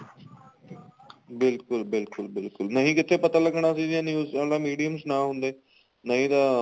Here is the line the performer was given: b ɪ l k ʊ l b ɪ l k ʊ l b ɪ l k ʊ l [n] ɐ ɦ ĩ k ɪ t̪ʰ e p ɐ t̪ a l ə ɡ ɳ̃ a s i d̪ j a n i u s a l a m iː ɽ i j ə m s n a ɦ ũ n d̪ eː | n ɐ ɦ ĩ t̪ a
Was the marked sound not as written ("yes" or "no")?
no